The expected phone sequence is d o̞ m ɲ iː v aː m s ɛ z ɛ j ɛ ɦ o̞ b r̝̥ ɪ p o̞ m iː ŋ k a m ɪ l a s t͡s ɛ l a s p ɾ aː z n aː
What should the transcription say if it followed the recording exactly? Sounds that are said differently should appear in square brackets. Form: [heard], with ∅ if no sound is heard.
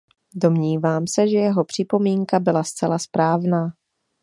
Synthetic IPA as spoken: d o̞ m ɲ iː v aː m s ɛ [ʒ] ɛ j ɛ ɦ o̞ [p] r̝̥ ɪ p o̞ m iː ŋ k a [b] ɪ l a s t͡s ɛ l a s p ɾ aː [v] n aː

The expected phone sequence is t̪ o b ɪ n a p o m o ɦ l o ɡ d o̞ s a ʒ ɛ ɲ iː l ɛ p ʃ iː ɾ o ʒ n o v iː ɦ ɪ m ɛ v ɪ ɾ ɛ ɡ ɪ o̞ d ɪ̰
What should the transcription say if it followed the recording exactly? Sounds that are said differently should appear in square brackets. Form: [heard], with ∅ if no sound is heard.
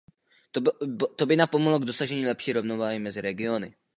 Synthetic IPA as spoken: t̪ o b ɪ n a p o m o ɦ l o ɡ d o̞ s a ʒ ɛ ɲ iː l ɛ p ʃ iː ɾ o [v] n o v [aː] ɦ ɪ m ɛ [z] ɪ ɾ ɛ ɡ ɪ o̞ [n] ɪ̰

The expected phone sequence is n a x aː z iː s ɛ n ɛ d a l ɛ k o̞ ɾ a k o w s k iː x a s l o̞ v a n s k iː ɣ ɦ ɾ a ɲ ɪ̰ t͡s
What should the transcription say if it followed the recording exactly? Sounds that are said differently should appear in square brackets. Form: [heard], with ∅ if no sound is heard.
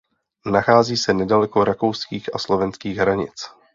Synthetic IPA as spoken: n a x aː z iː s ɛ n ɛ d a l ɛ k o̞ ɾ a k o w s k iː x a s l o̞ v [ɛ] n s k iː ɣ ɦ ɾ a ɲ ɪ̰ t͡s

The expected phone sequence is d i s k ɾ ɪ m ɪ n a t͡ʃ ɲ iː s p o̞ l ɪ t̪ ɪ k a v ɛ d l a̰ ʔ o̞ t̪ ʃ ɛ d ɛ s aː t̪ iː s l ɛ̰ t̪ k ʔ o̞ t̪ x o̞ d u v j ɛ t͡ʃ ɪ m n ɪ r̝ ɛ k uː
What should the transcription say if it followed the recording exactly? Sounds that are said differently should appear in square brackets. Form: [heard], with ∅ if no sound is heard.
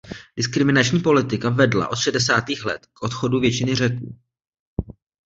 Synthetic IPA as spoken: d [ɪ] s k ɾ ɪ m ɪ n a t͡ʃ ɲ iː [∅] p o̞ l ɪ t̪ ɪ k a v ɛ d l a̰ ʔ o̞ t̪ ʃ ɛ d ɛ s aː t̪ iː [x] l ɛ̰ t̪ k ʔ o̞ t̪ x o̞ d u v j ɛ t͡ʃ ɪ [∅] n ɪ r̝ ɛ k uː

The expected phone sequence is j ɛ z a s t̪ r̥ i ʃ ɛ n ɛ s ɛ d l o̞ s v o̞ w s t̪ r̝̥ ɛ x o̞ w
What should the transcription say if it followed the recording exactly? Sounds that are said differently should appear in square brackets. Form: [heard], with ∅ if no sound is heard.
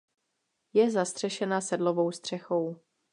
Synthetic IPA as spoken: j ɛ z a s t̪ r̥ [ɛ] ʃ ɛ n [a] s ɛ d l o̞ [∅] v o̞ w s t̪ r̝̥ ɛ x o̞ w

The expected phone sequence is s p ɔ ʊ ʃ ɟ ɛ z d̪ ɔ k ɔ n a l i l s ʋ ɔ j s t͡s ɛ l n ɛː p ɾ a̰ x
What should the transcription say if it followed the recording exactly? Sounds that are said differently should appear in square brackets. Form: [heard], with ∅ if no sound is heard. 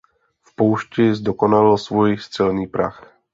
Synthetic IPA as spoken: [f] p ɔ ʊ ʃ [c] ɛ z d̪ ɔ k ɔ n a l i l s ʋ ɔ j s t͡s ɛ l n [iː] p ɾ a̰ x

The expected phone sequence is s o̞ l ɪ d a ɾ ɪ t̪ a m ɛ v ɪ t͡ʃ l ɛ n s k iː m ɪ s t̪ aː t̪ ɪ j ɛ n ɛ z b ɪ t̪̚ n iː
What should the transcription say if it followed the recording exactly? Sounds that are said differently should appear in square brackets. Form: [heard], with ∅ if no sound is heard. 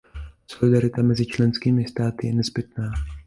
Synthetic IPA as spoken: s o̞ l ɪ d a ɾ ɪ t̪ a m ɛ [z] ɪ t͡ʃ l ɛ n s k iː m ɪ s t̪ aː t̪ ɪ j ɛ n ɛ z b ɪ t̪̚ n [aː]

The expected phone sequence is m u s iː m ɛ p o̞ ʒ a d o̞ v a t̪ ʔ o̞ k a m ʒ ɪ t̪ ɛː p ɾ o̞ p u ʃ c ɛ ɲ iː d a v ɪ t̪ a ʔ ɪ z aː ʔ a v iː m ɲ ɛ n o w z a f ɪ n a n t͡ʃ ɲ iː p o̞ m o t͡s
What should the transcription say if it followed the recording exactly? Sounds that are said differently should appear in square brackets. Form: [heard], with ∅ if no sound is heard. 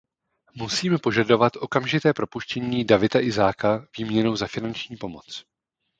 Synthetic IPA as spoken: m u s iː m ɛ p o̞ ʒ a d o̞ v a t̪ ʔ o̞ k a m ʒ ɪ t̪ ɛː p ɾ o̞ p u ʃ c ɛ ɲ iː d a v ɪ t̪ a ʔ ɪ z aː [k] a v iː m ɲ ɛ n o w z a f ɪ n a n t͡ʃ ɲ iː p o̞ m o t͡s

